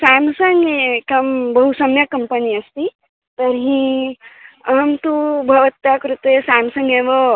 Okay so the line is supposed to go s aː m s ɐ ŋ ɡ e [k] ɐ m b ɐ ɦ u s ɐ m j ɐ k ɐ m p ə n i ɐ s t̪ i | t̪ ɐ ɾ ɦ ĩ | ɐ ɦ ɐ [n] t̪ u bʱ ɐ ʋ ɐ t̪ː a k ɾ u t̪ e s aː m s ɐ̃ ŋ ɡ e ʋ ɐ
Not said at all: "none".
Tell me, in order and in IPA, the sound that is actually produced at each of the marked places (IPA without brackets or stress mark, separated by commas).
k, m